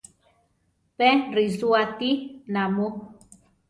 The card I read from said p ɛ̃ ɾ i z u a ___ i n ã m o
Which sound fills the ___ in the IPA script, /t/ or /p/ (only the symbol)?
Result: t